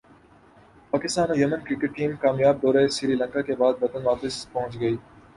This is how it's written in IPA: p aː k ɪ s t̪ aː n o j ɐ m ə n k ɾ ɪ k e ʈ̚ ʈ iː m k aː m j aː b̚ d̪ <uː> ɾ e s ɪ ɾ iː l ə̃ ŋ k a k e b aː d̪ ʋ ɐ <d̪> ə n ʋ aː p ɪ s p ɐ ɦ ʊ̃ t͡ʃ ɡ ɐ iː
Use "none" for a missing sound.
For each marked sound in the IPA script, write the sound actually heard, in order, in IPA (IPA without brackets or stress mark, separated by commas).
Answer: ɔː, t̪